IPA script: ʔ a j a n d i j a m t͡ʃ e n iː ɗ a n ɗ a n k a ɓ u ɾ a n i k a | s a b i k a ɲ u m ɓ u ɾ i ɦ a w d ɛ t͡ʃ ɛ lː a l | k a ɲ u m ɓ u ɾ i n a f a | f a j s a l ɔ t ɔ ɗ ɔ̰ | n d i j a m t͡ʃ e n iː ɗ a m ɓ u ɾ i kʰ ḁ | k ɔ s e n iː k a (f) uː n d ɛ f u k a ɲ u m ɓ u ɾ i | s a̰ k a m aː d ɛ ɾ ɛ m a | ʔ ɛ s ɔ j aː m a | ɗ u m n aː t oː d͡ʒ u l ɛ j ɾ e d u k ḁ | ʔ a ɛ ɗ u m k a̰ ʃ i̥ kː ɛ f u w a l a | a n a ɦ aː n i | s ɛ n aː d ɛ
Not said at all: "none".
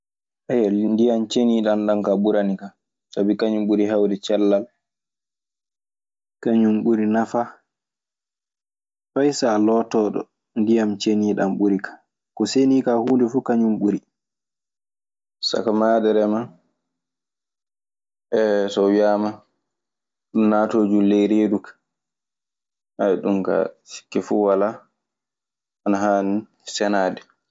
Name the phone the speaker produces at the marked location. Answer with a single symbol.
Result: h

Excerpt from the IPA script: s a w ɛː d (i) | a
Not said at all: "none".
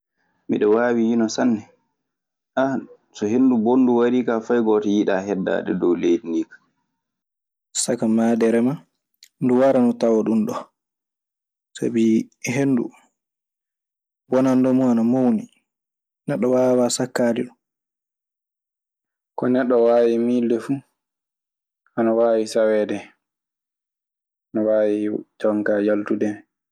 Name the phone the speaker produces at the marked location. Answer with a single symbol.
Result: ɛ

